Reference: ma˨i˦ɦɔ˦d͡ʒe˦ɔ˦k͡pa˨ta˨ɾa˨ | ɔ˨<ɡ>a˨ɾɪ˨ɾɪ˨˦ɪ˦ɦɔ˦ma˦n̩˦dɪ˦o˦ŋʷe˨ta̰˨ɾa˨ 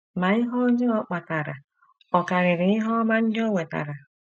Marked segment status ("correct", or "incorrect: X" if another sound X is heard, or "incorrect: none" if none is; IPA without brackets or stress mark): incorrect: k